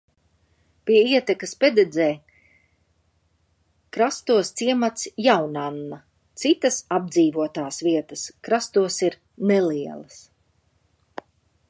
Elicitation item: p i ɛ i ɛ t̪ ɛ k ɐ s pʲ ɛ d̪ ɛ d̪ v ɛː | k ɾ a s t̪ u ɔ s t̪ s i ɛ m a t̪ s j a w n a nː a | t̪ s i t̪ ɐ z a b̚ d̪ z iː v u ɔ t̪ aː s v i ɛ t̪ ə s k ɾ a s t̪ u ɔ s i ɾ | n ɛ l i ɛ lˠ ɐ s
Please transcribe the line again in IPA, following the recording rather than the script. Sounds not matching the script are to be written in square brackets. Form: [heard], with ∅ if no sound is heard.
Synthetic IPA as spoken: p i ɛ i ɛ t̪ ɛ k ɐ s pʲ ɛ d̪ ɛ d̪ [z] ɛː | k ɾ a s t̪ u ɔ s t̪ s i ɛ m a t̪ s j a w n a nː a | t̪ s i t̪ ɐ [s] a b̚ d̪ z iː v u ɔ t̪ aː s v i ɛ t̪ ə s k ɾ a s t̪ u ɔ s i ɾ | n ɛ l i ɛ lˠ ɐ s